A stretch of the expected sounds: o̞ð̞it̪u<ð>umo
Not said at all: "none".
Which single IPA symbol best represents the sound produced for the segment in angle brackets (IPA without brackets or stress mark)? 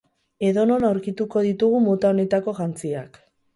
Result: ɣ